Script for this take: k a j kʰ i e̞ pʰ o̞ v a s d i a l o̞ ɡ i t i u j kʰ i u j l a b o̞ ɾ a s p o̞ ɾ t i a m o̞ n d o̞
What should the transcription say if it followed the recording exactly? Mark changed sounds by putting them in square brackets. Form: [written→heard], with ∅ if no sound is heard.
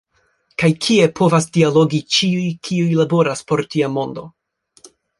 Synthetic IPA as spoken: k a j kʰ i e̞ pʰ o̞ v a s d i a l o̞ ɡ i [t→t͡ʃ] i u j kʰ i u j l a b o̞ ɾ a s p o̞ ɾ t i a m o̞ n d o̞